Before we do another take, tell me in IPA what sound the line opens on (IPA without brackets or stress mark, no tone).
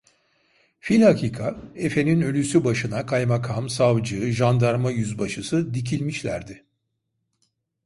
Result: f